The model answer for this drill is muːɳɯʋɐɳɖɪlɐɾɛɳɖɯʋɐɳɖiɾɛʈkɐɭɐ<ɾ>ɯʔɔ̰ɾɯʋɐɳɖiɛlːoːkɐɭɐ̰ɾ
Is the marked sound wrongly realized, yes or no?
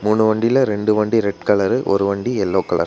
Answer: no